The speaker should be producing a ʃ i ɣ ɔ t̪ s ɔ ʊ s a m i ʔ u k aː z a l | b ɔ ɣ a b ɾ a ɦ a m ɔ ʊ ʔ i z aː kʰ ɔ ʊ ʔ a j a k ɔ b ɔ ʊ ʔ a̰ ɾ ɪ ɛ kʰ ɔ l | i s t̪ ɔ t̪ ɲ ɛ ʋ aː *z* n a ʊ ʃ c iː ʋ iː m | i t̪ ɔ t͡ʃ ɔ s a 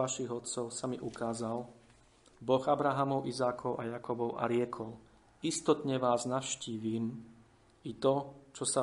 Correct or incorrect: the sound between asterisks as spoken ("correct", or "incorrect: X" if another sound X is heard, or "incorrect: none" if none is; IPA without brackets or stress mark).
correct